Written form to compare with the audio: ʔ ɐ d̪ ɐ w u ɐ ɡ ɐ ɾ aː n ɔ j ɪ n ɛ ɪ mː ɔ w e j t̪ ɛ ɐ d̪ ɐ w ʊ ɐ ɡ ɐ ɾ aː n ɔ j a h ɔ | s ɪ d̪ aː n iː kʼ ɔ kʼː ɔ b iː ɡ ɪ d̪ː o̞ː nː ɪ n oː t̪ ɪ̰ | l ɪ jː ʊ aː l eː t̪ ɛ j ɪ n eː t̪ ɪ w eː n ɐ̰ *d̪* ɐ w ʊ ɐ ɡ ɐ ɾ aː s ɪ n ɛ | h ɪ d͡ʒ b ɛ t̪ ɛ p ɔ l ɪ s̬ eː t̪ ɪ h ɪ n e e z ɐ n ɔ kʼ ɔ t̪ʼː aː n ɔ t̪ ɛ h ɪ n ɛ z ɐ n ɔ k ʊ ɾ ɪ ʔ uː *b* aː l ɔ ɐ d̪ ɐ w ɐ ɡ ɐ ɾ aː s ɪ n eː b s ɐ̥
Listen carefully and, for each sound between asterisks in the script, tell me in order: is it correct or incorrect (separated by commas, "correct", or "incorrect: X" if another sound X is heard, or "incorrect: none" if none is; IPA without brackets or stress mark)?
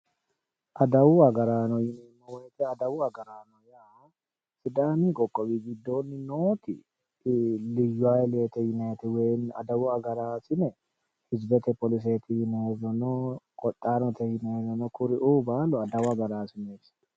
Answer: correct, correct